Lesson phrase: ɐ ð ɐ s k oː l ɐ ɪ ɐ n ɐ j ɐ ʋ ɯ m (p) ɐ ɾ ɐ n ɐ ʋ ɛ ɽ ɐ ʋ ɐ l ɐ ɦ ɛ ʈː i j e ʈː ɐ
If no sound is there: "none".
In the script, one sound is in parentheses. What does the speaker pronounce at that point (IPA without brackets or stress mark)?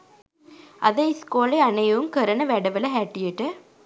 k